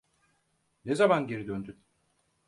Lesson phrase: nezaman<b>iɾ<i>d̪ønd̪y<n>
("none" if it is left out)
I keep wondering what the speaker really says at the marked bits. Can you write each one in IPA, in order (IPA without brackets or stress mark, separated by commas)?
ɟ, i, n